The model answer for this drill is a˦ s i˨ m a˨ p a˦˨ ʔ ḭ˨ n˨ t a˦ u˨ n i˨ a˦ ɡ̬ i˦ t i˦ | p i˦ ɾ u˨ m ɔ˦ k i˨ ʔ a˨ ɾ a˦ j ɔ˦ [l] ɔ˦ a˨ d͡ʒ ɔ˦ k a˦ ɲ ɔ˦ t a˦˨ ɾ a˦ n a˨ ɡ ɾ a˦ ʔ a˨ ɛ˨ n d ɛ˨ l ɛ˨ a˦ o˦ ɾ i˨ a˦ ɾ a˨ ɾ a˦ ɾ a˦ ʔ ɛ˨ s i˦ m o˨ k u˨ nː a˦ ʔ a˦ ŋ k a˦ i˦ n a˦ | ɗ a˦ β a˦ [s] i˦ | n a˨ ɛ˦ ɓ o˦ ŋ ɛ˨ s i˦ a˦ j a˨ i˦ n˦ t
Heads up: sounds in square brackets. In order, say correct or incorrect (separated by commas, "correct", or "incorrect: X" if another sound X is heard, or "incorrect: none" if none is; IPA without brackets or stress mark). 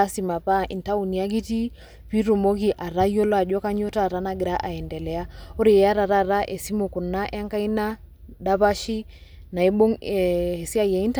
correct, incorrect: ʃ